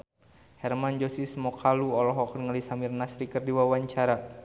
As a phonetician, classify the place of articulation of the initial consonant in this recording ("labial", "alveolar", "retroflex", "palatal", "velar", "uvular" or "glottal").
glottal